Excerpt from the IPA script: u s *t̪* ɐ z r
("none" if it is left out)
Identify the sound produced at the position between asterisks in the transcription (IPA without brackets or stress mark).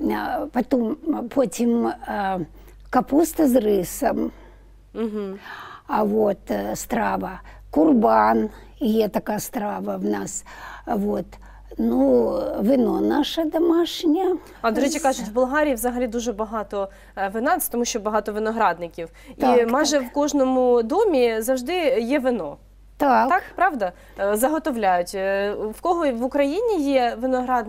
t̪